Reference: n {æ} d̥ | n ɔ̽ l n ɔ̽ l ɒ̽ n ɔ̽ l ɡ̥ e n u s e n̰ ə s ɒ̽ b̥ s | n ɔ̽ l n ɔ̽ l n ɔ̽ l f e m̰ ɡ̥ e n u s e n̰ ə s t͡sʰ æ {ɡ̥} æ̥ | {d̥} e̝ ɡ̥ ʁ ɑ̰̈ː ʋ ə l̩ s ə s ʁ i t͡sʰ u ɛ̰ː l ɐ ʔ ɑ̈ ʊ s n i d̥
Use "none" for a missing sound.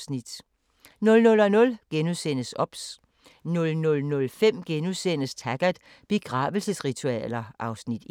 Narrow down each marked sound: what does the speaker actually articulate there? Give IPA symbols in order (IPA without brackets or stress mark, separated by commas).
i, ɡ̥, b̥